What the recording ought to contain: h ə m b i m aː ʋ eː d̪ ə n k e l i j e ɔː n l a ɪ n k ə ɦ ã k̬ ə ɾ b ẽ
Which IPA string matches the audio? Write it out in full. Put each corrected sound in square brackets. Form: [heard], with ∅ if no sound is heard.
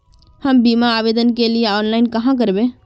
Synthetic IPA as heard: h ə m b i m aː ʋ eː d̪ ə n k e l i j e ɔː n l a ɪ n k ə ɦ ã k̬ ə ɾ b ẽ